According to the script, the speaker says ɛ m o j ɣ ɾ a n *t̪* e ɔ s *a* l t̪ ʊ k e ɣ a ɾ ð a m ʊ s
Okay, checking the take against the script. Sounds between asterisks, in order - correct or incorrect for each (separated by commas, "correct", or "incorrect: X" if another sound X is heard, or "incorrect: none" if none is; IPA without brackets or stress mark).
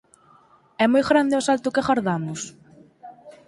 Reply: incorrect: d̪, correct